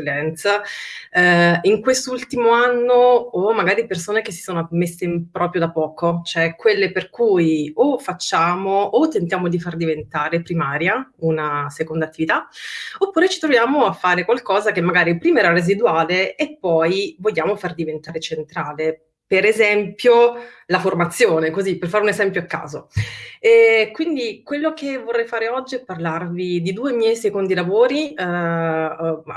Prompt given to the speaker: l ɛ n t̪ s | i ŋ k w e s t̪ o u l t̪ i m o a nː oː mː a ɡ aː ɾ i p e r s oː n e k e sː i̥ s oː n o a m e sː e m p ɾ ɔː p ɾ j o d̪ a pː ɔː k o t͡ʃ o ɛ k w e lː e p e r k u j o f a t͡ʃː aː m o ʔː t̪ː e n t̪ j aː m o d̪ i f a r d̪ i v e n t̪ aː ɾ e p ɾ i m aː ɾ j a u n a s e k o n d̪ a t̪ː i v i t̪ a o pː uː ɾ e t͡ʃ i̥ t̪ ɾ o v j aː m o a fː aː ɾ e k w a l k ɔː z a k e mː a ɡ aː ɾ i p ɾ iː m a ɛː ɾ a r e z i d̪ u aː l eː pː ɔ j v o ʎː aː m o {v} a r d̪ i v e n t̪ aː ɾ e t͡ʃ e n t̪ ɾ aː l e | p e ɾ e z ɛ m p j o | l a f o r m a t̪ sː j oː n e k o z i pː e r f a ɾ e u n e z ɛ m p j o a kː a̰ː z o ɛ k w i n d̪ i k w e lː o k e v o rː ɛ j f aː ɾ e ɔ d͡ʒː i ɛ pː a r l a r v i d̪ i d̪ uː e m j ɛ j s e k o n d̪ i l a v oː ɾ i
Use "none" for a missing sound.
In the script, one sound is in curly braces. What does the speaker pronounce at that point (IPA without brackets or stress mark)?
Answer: f